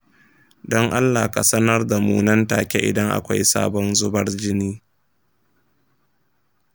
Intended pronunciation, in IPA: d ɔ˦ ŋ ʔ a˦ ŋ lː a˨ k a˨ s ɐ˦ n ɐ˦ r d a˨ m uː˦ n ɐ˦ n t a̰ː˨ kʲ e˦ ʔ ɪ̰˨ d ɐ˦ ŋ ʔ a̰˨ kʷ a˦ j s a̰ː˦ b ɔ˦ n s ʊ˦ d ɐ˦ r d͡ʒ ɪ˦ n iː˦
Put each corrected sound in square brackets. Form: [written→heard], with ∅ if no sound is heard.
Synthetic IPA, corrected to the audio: d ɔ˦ ŋ ʔ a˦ [ŋ→∅] lː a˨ k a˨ s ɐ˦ n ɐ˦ r d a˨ m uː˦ n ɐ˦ n t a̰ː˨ kʲ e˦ ʔ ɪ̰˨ d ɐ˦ ŋ ʔ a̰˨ kʷ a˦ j s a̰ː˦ b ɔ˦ n [s→z] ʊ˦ [d→b] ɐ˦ r d͡ʒ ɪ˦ n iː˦